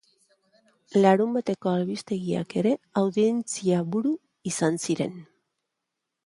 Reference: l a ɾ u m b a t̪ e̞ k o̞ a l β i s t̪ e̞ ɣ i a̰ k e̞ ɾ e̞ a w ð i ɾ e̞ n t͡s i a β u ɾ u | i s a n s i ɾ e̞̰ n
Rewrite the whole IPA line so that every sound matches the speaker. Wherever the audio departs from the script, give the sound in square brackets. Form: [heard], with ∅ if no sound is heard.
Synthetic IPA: l a ɾ u m b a t̪ e̞ k o̞ a l β i s t̪ e̞ ɣ i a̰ k e̞ ɾ e̞ a w ð i [∅] e̞ n t͡s i a β u ɾ u | i s a n s i ɾ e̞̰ n